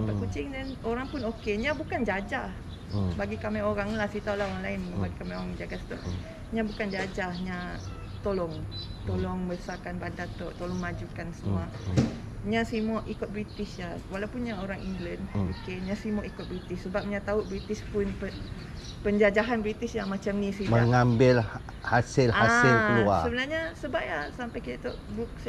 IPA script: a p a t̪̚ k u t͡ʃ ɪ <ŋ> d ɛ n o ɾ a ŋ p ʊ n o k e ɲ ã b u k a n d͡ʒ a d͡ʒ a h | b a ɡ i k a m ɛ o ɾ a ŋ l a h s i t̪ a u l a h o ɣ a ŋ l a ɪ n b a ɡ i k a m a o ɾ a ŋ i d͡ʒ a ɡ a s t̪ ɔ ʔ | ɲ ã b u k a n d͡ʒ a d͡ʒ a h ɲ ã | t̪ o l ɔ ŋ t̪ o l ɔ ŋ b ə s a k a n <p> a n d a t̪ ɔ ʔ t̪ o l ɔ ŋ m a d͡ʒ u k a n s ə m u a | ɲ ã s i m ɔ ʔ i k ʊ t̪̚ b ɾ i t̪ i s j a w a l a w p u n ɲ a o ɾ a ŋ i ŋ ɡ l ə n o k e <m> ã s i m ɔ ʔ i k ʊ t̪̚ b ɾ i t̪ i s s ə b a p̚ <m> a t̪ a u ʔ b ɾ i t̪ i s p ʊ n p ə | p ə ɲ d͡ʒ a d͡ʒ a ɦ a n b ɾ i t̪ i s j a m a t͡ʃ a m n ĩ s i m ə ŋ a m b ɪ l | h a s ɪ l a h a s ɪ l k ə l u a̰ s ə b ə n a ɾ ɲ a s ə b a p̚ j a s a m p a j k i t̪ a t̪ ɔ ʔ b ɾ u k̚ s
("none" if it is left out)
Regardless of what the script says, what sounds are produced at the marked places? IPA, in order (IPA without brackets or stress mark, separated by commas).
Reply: ŋ, b, ɲ, ɲ